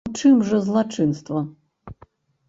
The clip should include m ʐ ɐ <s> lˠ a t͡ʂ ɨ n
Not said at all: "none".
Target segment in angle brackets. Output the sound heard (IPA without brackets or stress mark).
z